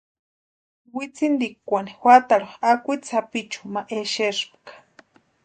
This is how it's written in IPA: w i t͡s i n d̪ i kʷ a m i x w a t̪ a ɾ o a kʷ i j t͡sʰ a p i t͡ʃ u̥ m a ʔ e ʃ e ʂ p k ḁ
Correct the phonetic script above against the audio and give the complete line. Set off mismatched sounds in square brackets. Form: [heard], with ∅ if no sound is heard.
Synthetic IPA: w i t͡s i n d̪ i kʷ a [n] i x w a t̪ a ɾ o a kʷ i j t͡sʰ a p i t͡ʃ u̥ m a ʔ e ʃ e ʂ p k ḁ